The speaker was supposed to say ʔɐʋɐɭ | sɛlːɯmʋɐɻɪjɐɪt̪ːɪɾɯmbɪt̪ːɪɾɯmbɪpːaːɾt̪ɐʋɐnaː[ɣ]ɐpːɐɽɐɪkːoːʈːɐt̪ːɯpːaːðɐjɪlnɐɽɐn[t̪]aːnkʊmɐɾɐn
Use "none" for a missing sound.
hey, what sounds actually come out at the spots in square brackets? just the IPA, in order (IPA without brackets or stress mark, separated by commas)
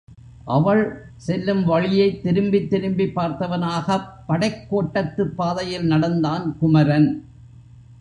ɣ, d̪